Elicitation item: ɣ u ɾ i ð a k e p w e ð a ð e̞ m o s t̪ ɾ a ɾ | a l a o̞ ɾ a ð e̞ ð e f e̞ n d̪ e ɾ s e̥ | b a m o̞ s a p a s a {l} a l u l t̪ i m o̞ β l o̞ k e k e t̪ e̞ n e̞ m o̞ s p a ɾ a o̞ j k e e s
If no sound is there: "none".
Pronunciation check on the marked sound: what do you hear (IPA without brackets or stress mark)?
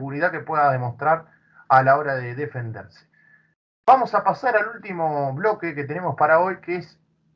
ɾ